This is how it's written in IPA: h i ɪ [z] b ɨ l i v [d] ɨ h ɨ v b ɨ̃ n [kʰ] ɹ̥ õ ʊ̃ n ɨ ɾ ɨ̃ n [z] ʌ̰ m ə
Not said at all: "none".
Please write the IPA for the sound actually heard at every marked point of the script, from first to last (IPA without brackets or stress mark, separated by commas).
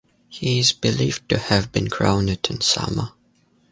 z, t, kʰ, s